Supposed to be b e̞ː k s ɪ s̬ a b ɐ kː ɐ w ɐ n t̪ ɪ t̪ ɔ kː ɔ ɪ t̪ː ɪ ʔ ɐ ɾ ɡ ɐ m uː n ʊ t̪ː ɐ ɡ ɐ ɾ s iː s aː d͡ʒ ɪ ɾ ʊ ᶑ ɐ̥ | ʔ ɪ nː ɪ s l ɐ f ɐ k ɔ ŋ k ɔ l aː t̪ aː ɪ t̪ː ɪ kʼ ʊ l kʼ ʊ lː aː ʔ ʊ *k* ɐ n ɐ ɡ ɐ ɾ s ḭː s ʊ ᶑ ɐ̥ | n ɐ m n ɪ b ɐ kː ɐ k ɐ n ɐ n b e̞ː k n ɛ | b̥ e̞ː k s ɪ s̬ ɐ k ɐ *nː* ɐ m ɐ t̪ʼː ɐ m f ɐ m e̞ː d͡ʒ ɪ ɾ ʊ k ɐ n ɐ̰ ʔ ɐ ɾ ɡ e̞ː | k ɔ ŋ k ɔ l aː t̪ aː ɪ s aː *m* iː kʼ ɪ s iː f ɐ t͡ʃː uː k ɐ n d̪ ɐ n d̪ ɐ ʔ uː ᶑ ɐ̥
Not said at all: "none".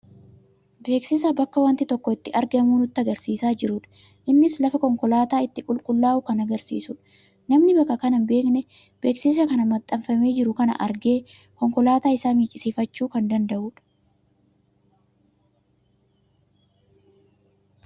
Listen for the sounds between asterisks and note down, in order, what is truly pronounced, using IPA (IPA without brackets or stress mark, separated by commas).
k, n, m